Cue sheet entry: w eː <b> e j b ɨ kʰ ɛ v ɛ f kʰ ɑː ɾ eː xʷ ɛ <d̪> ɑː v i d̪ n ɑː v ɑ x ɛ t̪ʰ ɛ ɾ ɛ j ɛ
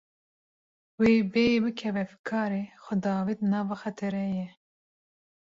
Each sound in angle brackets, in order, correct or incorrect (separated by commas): correct, correct